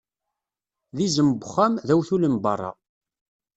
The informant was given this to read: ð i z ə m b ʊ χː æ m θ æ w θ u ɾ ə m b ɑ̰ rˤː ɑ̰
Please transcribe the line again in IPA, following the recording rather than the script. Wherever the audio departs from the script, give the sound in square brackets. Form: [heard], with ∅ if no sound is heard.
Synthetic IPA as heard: ð i z ə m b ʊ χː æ m [ð] æ w θ u [l] ə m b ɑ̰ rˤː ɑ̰